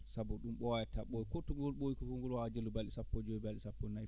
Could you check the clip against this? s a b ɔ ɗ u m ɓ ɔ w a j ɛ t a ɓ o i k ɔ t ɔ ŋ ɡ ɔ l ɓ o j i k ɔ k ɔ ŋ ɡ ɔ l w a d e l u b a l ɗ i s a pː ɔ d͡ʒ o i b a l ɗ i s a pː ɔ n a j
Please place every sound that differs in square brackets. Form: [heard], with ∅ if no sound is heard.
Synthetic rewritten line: s a b ɔ ɗ u m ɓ ɔ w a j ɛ t a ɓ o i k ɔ t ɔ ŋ ɡ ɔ l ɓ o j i k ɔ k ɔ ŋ ɡ ɔ l w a [d͡ʒ] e l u b a l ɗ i s a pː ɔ d͡ʒ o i b a l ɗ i s a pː ɔ n a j